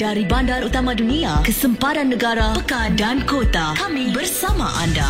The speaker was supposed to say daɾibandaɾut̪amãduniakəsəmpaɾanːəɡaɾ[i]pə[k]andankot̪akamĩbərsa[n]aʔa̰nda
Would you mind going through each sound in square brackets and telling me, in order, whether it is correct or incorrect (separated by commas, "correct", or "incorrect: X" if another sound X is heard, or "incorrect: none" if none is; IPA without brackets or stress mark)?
incorrect: a, correct, incorrect: m